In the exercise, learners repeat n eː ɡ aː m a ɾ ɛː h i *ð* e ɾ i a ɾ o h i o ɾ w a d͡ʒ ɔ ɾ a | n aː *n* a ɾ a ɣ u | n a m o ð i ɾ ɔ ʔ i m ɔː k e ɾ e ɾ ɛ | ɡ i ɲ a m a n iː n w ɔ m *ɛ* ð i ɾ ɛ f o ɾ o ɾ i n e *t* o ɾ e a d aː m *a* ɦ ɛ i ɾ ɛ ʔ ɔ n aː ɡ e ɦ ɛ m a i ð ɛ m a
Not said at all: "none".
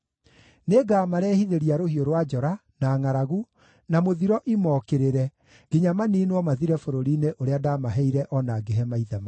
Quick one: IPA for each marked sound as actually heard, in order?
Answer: ð, ŋ, a, ʔ, a

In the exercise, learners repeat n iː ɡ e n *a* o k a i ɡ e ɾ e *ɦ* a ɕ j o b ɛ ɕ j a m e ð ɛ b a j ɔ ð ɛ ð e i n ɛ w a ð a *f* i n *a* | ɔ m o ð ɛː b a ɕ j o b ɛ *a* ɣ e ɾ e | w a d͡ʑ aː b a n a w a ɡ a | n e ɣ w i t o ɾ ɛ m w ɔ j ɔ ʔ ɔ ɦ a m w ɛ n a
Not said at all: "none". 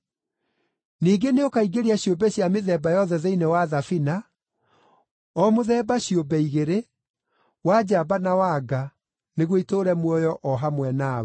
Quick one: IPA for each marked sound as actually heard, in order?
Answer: e, none, f, a, i

